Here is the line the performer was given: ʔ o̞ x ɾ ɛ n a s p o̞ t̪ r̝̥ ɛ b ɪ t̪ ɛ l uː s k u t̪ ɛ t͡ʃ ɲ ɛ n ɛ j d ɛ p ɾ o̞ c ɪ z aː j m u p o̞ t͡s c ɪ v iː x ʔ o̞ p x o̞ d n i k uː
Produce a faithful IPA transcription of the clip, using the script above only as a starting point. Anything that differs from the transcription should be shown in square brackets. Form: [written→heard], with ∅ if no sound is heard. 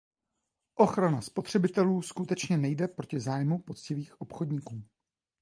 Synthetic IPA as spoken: ʔ o̞ x ɾ [ɛ→a] n a s p o̞ t̪ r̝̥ ɛ b ɪ t̪ ɛ l uː s k u t̪ ɛ t͡ʃ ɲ ɛ n ɛ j d ɛ p ɾ o̞ c ɪ z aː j m u p o̞ t͡s c ɪ v iː x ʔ o̞ p x o̞ d [n→ɲ] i k uː